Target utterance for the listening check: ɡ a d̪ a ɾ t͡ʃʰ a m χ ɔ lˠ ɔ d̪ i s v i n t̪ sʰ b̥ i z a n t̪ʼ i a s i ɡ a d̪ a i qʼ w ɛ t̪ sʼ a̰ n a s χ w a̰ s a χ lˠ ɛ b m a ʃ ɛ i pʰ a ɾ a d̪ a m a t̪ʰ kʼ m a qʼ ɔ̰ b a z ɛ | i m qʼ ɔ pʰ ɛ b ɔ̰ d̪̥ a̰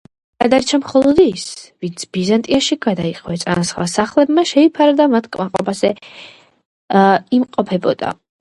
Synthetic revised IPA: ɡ a d̪ a ɾ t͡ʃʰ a m χ ɔ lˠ ɔ d̪ i s v i n t̪ sʰ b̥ i z a n t̪ʼ i a ʃ i ɡ a d̪ a i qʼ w ɛ t̪ sʼ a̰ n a s χ w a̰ s a χ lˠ ɛ b m a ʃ ɛ i pʰ a ɾ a d̪ a m a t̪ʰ kʼ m a qʼ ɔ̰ b a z ɛ | i m qʼ ɔ pʰ ɛ b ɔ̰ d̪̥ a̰